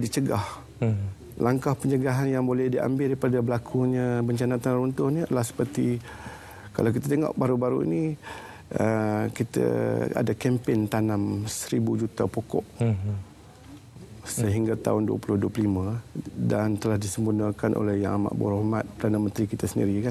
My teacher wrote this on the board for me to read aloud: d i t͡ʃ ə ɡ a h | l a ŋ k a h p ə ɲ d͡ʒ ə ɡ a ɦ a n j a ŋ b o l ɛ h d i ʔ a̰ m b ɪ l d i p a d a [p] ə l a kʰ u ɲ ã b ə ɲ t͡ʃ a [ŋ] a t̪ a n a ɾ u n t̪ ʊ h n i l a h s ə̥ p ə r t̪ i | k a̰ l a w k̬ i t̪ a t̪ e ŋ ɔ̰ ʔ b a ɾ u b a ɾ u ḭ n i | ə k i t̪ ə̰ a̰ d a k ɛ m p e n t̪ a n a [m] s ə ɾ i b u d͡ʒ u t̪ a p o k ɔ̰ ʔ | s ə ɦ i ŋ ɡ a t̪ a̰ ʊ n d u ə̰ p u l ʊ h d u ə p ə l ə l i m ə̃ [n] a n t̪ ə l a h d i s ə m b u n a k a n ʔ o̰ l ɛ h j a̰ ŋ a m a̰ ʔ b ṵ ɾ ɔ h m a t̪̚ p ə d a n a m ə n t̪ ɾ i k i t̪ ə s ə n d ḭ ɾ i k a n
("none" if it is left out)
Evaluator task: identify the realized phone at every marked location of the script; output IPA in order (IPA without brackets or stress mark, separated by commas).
b, n, m, d